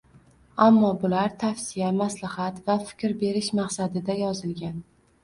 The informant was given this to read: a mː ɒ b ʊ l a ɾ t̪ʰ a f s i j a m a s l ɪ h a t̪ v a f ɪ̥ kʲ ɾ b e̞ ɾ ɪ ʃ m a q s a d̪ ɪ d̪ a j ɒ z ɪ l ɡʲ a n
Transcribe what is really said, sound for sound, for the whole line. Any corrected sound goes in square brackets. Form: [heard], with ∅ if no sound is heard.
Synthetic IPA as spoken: a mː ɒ b ʊ l a ɾ t̪ʰ a f s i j a m a s l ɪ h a t̪ v a f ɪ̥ kʲ ɾ b e̞ ɾ ɪ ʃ m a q s a d̪ ɪ d̪ a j ɒ z ɪ l ɡʲ a n